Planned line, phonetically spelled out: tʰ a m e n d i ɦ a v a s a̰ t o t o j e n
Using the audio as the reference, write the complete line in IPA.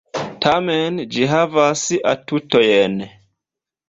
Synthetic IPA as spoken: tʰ a m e n d͡ʒ i ɦ a v a s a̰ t u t o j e n